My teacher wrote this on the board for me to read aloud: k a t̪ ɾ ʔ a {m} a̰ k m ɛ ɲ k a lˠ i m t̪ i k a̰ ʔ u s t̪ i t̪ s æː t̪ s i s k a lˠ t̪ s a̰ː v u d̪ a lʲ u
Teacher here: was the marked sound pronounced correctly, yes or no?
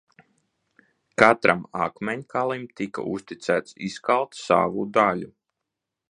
yes